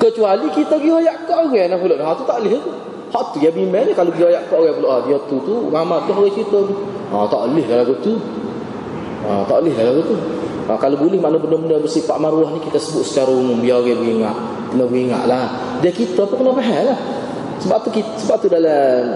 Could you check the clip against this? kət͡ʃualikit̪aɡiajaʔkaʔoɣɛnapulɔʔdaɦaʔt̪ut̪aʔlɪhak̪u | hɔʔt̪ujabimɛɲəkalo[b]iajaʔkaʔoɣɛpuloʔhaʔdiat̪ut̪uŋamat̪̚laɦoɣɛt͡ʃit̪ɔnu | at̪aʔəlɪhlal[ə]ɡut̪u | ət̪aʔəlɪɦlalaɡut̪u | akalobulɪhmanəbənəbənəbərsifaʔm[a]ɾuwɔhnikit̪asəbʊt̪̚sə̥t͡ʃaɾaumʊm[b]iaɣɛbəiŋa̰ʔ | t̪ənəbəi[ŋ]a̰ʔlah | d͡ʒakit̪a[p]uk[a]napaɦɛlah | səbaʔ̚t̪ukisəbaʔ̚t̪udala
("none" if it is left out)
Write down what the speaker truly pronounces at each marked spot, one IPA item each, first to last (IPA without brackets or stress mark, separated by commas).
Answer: ɡ, a, a, b, ŋ, p, ə